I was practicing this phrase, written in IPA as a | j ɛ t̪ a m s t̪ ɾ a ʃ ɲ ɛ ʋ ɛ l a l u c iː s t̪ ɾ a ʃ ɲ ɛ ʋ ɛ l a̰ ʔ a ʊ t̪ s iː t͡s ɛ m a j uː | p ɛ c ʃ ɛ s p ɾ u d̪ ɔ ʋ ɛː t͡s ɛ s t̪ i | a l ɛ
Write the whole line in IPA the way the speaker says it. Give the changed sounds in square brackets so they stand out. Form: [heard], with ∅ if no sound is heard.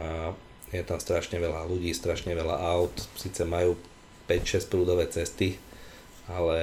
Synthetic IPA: a | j ɛ t̪ a m s t̪ ɾ a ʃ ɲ ɛ ʋ ɛ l a l u [ɟ] iː s t̪ ɾ a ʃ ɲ ɛ ʋ ɛ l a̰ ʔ a ʊ t̪ s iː t͡s ɛ m a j uː | p ɛ c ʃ ɛ s p ɾ [uː] d̪ ɔ ʋ ɛː t͡s ɛ s t̪ i | a l ɛ